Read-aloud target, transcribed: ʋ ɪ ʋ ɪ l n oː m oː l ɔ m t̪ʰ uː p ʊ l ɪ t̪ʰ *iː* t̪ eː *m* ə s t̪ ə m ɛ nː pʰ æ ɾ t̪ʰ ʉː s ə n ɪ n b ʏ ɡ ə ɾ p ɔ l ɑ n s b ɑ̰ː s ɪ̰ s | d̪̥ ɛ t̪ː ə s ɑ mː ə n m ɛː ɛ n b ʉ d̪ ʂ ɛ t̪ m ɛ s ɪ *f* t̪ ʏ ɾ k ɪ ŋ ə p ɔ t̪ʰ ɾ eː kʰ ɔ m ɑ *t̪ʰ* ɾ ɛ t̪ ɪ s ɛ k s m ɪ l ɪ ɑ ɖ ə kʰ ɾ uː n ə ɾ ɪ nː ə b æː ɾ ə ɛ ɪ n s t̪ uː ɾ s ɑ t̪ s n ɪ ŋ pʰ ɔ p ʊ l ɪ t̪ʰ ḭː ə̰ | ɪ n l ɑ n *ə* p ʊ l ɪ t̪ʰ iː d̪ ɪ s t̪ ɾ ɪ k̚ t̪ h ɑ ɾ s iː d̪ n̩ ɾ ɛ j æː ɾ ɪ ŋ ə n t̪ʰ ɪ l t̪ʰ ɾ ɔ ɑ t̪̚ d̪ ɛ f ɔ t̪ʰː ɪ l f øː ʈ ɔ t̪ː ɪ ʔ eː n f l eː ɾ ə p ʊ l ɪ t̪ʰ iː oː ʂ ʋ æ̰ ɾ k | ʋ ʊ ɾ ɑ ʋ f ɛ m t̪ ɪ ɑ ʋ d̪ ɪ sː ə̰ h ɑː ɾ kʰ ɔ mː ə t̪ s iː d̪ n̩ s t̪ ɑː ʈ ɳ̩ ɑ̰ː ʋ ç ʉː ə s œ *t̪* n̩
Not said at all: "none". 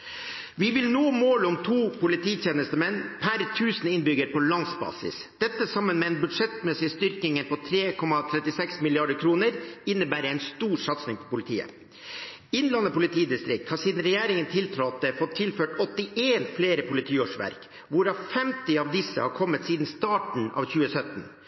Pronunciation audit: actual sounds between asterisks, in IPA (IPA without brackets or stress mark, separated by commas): iː, n, s, t̪ʰ, ə, t̪